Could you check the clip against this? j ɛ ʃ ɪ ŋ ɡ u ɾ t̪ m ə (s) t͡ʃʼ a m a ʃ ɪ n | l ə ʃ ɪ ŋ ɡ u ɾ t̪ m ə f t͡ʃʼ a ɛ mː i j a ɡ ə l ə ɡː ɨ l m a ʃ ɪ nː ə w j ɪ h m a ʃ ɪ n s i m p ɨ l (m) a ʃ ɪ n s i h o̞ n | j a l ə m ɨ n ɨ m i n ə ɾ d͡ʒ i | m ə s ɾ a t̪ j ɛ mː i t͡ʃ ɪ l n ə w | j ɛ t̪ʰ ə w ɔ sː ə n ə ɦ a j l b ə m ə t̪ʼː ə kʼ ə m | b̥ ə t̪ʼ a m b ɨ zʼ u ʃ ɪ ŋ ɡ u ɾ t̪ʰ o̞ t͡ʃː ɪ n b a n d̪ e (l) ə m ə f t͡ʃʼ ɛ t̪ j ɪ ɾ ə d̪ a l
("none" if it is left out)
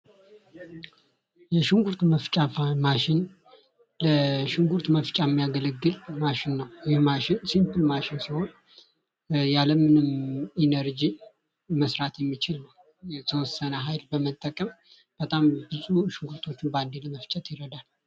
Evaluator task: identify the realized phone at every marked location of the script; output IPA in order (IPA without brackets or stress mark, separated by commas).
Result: f, m, l